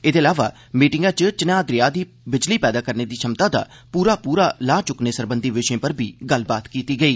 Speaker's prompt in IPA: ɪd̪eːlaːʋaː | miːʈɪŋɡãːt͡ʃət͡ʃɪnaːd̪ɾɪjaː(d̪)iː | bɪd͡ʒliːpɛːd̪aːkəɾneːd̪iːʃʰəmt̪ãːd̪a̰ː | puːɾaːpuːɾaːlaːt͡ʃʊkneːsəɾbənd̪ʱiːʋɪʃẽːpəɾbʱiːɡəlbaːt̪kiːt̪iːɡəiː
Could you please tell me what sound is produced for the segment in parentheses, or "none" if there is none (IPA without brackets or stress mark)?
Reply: d̪